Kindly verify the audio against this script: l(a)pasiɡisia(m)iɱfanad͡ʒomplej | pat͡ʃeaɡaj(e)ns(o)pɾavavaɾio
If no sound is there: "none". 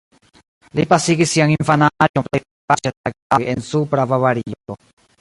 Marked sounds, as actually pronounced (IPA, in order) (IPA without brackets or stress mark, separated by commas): i, ŋ, e, u